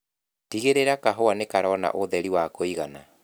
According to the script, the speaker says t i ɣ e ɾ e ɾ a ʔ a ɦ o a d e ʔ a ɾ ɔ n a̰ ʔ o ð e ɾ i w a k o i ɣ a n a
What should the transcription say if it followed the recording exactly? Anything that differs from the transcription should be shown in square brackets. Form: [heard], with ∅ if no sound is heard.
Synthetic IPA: t i ɣ e ɾ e ɾ a [k] a ɦ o a [n] e [k] a ɾ ɔ n a̰ ʔ o ð [ɛ] ɾ i w a k o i ɣ a n a